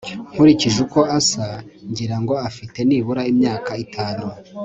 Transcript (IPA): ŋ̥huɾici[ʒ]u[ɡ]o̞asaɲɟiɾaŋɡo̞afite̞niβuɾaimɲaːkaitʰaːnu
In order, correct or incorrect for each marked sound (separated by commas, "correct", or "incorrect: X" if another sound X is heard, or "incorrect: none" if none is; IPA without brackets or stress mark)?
correct, incorrect: k